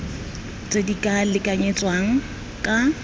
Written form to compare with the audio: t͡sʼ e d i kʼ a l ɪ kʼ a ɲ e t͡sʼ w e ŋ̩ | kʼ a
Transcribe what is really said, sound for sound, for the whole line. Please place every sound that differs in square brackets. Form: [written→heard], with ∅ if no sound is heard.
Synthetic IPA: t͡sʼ e d i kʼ a l ɪ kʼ a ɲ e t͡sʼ w [e→a] ŋ̩ | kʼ a

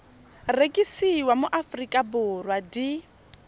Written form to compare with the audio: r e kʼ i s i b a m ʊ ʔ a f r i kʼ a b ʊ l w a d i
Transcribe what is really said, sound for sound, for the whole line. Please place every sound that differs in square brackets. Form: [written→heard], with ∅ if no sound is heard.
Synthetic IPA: r e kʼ i s i [b→w] a m ʊ ʔ a f r i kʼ a b ʊ [l→r] w a d i

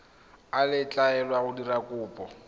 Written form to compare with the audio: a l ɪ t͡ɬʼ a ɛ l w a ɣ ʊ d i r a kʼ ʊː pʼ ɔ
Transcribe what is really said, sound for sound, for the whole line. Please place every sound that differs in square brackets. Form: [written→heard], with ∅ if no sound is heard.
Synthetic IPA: a l ɪ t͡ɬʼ a ɛ l w a ɣ ʊ d i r a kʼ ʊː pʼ ɔ

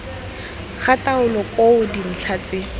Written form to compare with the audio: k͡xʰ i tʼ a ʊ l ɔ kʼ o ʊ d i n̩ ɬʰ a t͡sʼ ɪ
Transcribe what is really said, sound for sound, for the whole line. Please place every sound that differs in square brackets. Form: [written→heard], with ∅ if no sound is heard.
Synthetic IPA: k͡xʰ [i→a] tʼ a ʊ l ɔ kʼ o ʊ d i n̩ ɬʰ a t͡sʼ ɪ

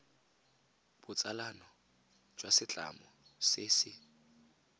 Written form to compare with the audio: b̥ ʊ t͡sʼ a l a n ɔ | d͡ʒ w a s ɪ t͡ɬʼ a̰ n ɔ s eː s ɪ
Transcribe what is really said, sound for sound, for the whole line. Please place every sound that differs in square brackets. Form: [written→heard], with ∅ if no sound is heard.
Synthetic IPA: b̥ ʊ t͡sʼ a l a n ɔ | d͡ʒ w a s ɪ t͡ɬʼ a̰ [n→m] ɔ s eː s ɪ

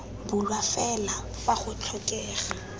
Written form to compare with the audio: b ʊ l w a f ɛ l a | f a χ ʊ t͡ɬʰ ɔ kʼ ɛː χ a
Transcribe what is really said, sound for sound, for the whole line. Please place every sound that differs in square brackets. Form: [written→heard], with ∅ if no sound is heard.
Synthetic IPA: b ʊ l w a f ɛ l a | f a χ ʊ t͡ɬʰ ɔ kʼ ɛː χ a

